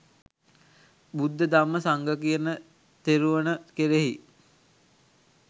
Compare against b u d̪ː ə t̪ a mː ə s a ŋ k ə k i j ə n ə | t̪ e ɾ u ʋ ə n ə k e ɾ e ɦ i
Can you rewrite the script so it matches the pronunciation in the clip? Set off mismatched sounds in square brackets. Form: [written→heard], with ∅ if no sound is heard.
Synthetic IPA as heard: b u d̪ː ə [t̪→d̪] a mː ə s a ŋ [k→ɡ] ə k i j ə n ə | t̪ e ɾ u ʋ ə n ə k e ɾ e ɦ i

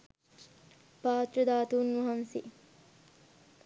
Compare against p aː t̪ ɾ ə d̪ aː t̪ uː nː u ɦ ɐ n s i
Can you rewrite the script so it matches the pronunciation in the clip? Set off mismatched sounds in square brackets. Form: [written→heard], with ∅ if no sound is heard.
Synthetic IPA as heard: p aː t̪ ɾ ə d̪ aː t̪ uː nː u ɦ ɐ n s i

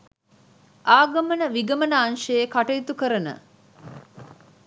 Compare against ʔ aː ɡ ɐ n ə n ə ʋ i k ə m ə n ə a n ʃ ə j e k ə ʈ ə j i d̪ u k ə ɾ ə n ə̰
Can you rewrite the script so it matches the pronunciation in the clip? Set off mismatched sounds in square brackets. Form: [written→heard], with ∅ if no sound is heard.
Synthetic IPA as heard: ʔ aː ɡ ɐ [n→m] ə n ə ʋ i [k→ɡ] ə m ə n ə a n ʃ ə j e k [ə→a] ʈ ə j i [d̪→t̪] u k ə ɾ ə n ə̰

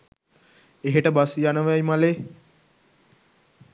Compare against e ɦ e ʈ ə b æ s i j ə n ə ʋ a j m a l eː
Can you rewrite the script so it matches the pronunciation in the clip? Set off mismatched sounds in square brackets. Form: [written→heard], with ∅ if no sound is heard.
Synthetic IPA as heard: e ɦ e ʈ ə b [æ→a] s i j [ə→a] n ə ʋ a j m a l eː

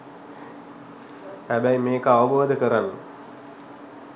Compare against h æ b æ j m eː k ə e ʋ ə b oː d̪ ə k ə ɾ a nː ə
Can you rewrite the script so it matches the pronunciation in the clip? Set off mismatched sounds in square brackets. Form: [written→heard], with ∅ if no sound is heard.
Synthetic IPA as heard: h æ b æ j m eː k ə [e→a] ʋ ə b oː d̪ ə k ə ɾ a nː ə

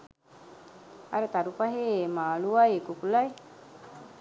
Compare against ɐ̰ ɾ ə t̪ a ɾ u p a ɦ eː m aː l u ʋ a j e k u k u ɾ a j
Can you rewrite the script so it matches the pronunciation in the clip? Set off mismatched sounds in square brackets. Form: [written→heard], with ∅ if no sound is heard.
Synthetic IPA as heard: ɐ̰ ɾ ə t̪ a ɾ u p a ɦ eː m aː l u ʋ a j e k u k u [ɾ→l] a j

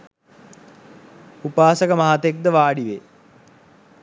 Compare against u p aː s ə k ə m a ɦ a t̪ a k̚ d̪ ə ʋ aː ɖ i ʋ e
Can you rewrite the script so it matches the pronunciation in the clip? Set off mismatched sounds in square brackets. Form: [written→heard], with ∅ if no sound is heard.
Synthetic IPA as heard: u p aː s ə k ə m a ɦ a t̪ [a→e] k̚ d̪ ə ʋ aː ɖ i ʋ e

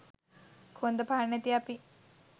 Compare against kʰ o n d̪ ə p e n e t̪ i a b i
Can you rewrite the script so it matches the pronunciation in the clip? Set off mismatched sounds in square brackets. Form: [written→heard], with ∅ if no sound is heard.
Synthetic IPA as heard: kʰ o n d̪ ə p [e→a] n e t̪ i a [b→p] i

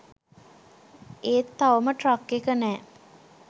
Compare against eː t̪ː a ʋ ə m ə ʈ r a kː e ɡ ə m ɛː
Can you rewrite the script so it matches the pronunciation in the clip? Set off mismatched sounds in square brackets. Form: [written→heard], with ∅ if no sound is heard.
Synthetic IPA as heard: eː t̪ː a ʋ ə m ə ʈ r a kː e [ɡ→k] ə [m→n] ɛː

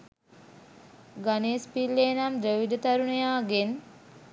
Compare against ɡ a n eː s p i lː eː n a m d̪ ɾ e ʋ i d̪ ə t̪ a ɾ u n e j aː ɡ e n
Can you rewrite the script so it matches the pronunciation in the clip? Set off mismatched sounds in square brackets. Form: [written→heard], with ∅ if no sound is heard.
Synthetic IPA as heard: ɡ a n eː s p i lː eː n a m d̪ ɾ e ʋ i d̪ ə t̪ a ɾ u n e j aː ɡ e n

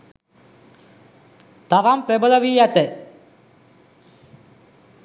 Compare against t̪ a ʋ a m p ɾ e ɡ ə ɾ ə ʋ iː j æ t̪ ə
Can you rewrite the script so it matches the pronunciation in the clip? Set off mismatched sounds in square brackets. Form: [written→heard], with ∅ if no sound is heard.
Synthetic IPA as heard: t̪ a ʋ a m p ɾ e [ɡ→b] ə [ɾ→l] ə ʋ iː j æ t̪ ə

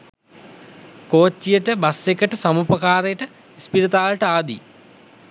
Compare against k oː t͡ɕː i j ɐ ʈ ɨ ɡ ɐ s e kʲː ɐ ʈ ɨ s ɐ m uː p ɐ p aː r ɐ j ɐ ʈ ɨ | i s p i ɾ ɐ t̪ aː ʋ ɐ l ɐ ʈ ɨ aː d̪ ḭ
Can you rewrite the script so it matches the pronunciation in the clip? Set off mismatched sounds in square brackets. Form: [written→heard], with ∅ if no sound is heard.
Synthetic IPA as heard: k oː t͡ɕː i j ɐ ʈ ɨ [ɡ→b] ɐ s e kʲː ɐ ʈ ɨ s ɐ m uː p ɐ [p→k] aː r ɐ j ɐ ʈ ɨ | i s p i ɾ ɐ t̪ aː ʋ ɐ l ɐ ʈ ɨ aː d̪ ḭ

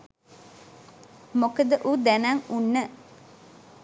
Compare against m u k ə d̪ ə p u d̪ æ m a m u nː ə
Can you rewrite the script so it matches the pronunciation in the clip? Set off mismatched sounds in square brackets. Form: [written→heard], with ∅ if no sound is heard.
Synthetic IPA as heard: m [u→o] k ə d̪ ə [p→ʔ] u d̪ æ [m→n] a [m→ŋ] u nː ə

